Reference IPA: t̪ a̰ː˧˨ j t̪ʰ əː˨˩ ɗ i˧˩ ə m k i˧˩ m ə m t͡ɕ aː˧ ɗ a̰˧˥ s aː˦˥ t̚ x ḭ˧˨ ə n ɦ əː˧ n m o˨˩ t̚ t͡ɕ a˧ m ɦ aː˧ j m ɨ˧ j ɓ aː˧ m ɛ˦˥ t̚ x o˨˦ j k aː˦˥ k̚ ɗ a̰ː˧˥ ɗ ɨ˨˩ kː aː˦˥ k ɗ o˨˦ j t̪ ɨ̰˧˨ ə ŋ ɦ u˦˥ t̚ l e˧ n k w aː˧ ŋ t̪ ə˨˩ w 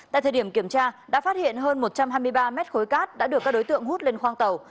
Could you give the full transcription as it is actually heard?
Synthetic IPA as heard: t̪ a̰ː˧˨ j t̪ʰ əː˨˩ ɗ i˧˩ ə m k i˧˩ ə m t͡ɕ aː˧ ɗ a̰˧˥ f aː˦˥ t̚ h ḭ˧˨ ə n ɦ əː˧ n m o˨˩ t̚ t͡ɕ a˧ m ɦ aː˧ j m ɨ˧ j ɓ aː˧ m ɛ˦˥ t̚ x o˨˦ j k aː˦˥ t̚ ɗ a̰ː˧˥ ɗ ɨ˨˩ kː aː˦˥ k ɗ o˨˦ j t̪ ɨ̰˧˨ ə ŋ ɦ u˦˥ t̚ l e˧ n x w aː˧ ŋ t̪ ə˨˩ w